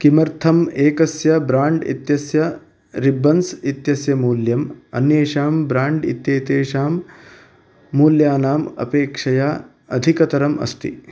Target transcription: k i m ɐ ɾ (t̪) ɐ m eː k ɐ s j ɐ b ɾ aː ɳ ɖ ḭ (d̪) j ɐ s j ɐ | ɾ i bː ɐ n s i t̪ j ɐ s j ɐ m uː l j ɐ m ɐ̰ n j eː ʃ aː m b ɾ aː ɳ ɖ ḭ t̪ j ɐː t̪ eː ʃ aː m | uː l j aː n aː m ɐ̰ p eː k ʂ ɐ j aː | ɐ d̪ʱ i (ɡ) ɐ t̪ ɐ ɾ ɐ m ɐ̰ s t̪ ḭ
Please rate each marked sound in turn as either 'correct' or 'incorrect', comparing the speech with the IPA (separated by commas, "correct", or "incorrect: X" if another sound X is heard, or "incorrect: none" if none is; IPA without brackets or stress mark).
incorrect: t̪ʰ, incorrect: t̪, incorrect: k